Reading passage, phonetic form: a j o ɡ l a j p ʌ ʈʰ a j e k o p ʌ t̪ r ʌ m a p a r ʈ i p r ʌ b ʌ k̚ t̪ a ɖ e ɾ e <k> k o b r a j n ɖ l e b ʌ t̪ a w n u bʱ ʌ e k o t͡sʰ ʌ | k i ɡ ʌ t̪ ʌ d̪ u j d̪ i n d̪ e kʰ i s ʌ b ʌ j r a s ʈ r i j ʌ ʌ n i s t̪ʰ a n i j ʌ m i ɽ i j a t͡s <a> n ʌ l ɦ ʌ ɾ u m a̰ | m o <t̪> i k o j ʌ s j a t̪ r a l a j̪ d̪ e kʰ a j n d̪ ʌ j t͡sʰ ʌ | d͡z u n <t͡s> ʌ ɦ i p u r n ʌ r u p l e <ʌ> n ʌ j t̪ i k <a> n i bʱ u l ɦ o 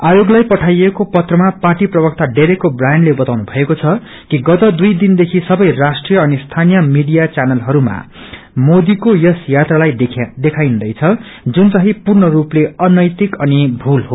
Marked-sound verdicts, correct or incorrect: correct, correct, incorrect: d̪, correct, correct, incorrect: ʌ

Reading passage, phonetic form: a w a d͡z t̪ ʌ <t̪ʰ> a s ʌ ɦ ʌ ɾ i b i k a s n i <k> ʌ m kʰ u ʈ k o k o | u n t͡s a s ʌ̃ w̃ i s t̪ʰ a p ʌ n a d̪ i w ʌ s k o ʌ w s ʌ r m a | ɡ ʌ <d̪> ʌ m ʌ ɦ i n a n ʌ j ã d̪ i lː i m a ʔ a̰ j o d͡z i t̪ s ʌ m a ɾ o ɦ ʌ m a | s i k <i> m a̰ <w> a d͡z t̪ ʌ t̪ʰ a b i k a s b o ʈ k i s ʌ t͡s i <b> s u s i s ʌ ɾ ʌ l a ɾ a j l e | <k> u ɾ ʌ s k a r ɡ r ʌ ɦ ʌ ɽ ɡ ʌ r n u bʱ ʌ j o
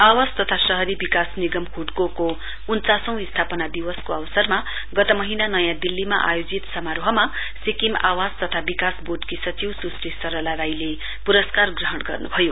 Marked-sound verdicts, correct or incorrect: correct, incorrect: ɡ, incorrect: t̪, correct, correct, incorrect: w, incorrect: p

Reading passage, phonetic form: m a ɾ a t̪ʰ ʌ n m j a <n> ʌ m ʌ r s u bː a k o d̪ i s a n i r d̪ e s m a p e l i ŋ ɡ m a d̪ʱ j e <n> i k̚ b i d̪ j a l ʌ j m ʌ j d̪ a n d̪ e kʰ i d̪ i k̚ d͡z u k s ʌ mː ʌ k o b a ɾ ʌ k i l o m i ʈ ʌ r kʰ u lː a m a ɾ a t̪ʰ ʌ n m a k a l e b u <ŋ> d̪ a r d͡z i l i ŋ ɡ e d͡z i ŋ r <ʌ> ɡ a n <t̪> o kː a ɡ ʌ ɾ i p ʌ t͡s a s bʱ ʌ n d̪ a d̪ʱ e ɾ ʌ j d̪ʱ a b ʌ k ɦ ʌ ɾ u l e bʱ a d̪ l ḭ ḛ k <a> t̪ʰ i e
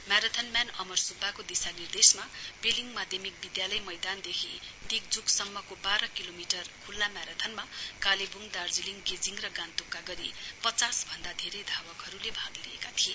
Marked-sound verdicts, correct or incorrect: correct, incorrect: m, correct, correct, correct, correct

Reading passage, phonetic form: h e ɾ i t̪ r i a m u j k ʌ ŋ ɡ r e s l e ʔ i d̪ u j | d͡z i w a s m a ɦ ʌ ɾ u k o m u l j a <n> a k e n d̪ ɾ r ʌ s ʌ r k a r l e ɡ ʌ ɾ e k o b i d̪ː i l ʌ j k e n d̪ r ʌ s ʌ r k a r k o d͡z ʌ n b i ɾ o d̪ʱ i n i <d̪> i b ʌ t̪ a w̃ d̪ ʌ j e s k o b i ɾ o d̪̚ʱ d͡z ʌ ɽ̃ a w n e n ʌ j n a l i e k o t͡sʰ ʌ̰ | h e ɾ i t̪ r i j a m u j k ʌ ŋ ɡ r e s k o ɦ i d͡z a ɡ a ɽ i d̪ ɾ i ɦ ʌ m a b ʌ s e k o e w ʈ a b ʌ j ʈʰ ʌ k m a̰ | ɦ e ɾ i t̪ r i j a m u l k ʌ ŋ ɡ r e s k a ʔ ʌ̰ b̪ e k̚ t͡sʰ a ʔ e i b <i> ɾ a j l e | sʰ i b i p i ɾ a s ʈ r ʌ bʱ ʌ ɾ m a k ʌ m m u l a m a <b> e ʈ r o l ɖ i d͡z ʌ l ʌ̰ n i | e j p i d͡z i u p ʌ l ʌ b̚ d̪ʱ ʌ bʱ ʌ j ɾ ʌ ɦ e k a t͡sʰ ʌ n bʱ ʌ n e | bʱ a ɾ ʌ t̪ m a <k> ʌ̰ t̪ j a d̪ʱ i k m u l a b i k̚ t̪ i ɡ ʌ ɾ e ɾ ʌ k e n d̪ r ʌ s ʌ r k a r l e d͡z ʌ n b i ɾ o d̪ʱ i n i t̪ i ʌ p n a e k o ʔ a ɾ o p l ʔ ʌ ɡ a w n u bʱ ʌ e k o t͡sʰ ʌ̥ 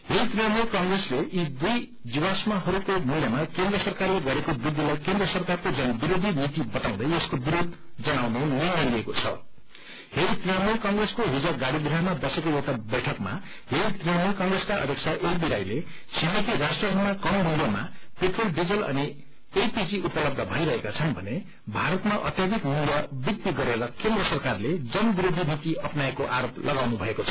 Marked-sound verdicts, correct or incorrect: incorrect: m, incorrect: t̪, correct, incorrect: p, incorrect: ʔ

